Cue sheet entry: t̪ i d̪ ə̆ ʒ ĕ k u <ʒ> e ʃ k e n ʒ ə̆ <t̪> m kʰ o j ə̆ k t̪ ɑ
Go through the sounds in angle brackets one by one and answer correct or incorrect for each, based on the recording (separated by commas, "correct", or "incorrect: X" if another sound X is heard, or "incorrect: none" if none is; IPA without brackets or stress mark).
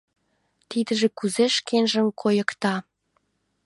incorrect: z, incorrect: none